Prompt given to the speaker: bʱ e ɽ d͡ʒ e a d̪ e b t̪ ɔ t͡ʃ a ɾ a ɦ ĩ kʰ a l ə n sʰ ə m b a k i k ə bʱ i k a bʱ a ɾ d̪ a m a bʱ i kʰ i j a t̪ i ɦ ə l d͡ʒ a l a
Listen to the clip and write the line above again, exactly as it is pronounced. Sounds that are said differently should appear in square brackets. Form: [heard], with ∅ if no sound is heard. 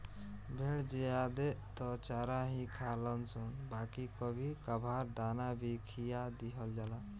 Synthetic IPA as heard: bʱ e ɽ d͡ʒ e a d̪ e [∅] t̪ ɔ t͡ʃ a ɾ a ɦ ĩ kʰ a l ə n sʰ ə [n] b a k i k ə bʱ i k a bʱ a ɾ d̪ a [n] a bʱ i kʰ i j a [d̪] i ɦ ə l d͡ʒ a l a

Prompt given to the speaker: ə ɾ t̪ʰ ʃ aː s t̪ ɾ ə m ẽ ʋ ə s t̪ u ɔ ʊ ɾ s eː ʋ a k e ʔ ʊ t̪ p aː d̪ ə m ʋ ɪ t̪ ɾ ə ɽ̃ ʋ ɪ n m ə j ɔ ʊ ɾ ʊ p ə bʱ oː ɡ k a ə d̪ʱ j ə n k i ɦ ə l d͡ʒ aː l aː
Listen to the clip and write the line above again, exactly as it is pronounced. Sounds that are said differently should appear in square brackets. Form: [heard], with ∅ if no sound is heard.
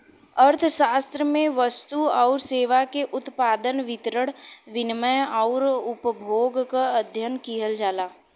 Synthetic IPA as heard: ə ɾ t̪ʰ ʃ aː s t̪ ɾ ə m ẽ ʋ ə s t̪ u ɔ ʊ ɾ s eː ʋ a k e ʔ ʊ t̪ p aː d̪ ə [n] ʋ ɪ t̪ ɾ ə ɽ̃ ʋ ɪ n m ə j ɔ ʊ ɾ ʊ p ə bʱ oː ɡ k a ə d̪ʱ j ə n k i ɦ ə l d͡ʒ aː l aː

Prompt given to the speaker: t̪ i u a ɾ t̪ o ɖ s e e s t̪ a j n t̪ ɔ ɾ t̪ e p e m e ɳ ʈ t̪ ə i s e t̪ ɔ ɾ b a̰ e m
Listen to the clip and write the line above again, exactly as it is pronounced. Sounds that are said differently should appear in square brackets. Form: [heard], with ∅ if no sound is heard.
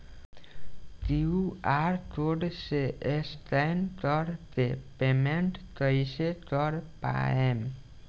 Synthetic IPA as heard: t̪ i u a ɾ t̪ o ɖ s e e s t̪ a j n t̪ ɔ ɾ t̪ e p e m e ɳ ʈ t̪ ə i s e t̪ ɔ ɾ [p] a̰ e m

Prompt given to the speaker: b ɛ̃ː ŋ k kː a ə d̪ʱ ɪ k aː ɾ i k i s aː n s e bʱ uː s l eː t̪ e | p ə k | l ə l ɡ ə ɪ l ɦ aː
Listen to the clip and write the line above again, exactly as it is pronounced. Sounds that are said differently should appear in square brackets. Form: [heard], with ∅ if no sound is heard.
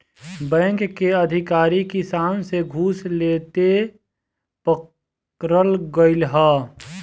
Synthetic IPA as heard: b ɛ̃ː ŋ k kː [e] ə d̪ʱ ɪ k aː ɾ i k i s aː n s e [ɡʱ] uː s l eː t̪ e | p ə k | [ɾ] ə l ɡ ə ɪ l ɦ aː

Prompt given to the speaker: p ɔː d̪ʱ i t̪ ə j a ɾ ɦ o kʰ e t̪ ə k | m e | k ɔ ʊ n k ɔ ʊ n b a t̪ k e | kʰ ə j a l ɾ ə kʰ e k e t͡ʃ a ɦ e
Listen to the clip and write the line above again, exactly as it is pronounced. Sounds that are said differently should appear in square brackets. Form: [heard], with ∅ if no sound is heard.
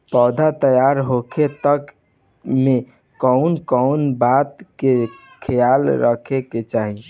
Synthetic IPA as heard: p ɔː d̪ʱ [a] t̪ ə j a ɾ ɦ o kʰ e t̪ ə k | m e | k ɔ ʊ n k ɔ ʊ n b a t̪ k e | kʰ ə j a l ɾ ə kʰ e k e t͡ʃ a ɦ [i]

